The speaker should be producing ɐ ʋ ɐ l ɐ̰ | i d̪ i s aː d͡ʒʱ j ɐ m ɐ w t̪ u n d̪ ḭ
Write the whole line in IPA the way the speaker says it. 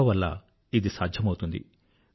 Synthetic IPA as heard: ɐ ʋ ɐ lː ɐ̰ | i d̪ i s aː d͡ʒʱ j ɐ m ɐ w t̪ u n d̪ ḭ